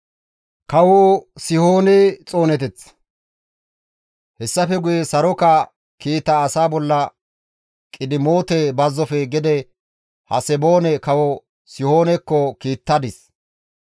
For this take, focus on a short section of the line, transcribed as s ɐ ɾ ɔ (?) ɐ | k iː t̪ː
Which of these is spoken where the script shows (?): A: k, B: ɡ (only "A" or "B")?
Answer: A